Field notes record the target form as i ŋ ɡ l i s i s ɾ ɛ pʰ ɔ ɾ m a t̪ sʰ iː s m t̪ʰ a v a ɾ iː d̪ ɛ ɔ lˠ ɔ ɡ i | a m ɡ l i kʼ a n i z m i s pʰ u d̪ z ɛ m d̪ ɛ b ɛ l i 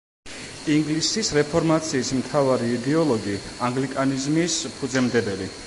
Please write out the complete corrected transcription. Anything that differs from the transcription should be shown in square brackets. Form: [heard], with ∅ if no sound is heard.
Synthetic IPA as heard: i ŋ ɡ l i s i s ɾ ɛ pʰ ɔ ɾ m a t̪ sʰ iː s m t̪ʰ a v a ɾ iː d̪ ɛ ɔ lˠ ɔ ɡ i | a [ŋ] ɡ l i kʼ a n i z m i s pʰ u d̪ z ɛ m d̪ ɛ b ɛ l i